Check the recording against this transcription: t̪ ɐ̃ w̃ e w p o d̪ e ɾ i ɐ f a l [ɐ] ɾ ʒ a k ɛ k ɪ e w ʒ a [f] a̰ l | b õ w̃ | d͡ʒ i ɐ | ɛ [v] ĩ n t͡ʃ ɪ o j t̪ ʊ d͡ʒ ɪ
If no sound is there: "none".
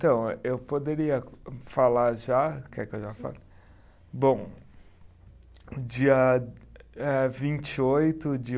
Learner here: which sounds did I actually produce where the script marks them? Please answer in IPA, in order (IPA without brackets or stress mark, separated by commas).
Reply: a, f, v